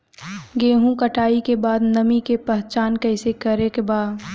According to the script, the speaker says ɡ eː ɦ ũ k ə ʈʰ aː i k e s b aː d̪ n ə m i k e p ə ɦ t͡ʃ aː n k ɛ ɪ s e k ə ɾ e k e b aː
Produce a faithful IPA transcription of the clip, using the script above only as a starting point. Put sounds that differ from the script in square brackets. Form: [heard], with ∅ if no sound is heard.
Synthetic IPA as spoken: ɡ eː ɦ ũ k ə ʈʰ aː i k e [∅] b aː d̪ n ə m i k e p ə ɦ t͡ʃ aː n k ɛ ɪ s e k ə ɾ e k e b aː